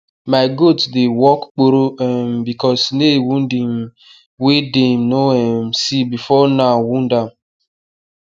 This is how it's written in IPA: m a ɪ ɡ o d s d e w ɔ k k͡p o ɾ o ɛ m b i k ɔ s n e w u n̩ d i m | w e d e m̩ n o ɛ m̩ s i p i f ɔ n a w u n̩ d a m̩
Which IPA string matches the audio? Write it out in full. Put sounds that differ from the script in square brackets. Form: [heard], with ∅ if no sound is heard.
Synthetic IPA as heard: m a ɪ ɡ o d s d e w ɔ k k͡p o ɾ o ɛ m b i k ɔ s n e w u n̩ d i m | w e d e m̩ n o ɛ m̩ s i [b] i f ɔ n a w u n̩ d a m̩